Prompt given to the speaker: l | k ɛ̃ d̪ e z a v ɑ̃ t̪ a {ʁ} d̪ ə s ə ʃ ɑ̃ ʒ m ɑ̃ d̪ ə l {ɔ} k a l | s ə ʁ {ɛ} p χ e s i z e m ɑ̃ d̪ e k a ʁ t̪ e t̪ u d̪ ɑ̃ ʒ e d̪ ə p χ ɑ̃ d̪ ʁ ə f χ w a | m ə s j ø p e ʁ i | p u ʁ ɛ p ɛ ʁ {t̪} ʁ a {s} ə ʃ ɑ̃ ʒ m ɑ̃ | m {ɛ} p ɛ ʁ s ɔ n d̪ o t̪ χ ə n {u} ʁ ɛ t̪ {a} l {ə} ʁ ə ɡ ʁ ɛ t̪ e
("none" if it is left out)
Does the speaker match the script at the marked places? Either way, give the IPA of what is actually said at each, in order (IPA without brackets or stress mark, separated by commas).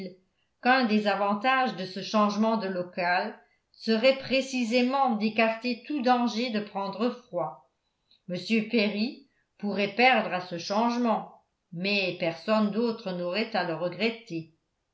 ʒ, ɔ, ɛ, d̪, s, ɛ, ɔ, a, ə